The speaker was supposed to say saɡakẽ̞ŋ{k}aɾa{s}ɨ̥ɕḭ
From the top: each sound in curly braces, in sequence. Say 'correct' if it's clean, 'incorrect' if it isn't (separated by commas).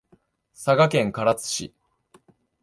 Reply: correct, incorrect